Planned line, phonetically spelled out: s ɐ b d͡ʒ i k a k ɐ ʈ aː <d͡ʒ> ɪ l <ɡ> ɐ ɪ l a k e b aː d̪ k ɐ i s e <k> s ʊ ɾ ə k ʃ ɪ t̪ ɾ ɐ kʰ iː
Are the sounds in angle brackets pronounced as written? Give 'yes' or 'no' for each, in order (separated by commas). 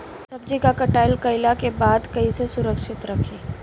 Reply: no, no, no